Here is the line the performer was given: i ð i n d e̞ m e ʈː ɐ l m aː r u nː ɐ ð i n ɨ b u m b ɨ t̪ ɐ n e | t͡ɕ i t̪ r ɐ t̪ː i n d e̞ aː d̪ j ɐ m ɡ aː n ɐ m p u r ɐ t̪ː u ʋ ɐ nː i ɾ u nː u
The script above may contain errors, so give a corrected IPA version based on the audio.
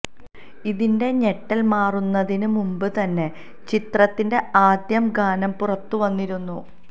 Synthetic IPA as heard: i ð i n d e̞ ɲ e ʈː ɐ l m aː r u nː ɐ ð i n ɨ m u m b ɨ t̪ ɐ nː e | t͡ɕ i t̪ r ɐ t̪ː i n d e̞ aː d̪ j ɐ m ɡ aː n ɐ m p u r ɐ t̪ː u ʋ ɐ nː i ɾ u nː u